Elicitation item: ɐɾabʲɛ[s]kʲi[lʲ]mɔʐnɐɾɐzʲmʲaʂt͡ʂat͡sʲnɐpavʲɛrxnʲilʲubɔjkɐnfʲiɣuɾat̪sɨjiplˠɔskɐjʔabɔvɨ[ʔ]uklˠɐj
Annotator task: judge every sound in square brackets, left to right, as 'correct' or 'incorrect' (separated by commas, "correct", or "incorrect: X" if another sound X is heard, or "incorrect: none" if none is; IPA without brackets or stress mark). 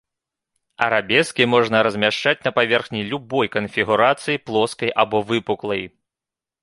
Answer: correct, incorrect: none, incorrect: p